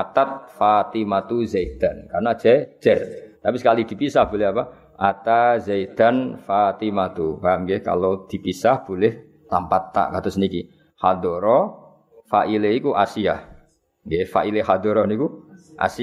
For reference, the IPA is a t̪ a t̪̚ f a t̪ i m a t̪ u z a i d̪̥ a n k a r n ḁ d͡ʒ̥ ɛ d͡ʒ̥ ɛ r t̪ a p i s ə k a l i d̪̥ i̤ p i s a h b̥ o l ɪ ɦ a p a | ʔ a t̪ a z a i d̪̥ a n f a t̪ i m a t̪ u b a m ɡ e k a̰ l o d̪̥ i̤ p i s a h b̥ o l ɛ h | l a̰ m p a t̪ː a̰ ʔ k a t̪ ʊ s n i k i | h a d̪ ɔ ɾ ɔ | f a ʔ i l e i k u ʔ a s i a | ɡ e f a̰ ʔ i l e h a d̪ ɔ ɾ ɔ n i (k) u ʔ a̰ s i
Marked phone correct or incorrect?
correct